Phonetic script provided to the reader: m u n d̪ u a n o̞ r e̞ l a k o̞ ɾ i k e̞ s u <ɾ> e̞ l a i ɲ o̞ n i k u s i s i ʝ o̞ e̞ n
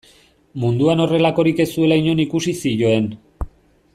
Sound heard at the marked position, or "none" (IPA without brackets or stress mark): none